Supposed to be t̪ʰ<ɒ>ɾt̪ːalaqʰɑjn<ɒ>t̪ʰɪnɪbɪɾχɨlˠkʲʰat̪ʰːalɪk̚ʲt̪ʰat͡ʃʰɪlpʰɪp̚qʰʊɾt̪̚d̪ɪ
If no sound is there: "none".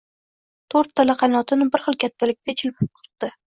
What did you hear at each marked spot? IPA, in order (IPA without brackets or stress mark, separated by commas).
o, ɒ